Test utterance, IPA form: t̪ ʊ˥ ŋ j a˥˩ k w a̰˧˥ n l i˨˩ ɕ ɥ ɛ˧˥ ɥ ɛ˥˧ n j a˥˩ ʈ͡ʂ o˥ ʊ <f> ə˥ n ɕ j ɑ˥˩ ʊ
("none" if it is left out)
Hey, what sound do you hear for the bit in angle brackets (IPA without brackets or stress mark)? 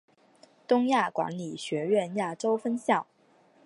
f